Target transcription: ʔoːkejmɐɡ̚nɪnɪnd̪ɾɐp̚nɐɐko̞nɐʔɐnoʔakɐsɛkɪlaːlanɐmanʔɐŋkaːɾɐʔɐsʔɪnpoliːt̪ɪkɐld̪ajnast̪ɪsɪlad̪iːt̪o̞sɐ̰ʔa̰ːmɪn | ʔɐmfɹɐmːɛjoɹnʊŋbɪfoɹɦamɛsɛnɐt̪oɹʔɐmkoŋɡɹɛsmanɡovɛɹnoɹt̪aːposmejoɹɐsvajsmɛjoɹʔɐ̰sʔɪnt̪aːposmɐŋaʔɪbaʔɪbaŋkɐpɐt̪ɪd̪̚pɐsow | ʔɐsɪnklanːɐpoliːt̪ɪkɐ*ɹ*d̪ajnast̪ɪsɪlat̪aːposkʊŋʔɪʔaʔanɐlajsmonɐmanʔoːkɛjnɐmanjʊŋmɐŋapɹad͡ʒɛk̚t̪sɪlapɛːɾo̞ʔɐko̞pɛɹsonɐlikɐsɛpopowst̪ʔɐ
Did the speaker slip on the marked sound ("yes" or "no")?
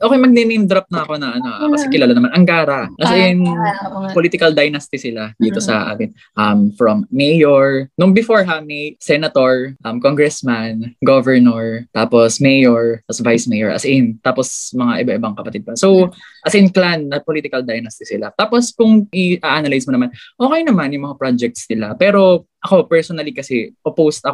yes